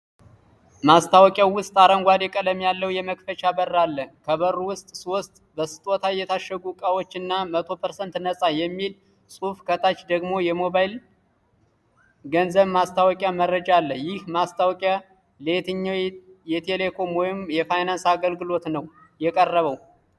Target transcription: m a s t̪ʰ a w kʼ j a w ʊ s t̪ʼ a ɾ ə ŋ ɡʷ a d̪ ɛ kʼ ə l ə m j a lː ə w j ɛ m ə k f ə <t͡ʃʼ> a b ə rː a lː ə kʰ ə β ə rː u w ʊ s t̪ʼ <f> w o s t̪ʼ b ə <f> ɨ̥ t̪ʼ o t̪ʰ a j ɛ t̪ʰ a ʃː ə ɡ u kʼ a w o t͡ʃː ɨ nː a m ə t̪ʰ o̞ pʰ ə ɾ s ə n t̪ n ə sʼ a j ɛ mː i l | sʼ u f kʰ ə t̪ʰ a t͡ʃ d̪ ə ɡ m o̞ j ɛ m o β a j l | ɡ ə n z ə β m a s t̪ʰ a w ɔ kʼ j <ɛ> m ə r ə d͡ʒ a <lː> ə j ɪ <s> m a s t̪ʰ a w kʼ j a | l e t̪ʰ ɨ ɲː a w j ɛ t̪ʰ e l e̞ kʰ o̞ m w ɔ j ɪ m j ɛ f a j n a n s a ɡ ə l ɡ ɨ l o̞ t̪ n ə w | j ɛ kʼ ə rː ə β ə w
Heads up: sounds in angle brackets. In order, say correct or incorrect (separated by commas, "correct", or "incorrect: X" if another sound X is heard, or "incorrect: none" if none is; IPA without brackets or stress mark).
incorrect: t͡ʃ, incorrect: s, incorrect: s, incorrect: a, correct, incorrect: h